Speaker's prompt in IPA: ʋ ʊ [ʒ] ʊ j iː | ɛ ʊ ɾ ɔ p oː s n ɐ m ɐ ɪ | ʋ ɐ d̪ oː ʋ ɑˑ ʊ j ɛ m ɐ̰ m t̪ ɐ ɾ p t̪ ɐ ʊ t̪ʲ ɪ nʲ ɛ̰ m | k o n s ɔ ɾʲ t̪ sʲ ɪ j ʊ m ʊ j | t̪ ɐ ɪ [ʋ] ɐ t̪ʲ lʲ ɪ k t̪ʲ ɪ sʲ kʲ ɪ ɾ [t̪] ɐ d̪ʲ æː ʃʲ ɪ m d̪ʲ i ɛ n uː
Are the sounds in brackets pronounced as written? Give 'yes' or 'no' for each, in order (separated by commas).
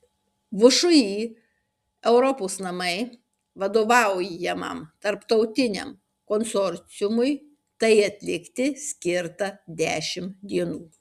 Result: no, no, yes